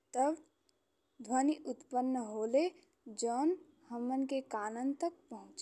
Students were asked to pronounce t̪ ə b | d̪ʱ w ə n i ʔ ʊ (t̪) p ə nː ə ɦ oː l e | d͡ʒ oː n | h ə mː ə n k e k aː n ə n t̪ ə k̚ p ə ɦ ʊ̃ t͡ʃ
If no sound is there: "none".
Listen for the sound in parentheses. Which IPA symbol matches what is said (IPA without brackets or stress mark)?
t̪